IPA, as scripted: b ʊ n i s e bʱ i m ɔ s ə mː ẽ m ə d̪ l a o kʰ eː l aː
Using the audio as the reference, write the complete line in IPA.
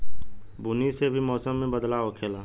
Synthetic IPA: b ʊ n i s e bʱ i m ɔː s ə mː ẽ b ə d̪ l a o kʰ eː l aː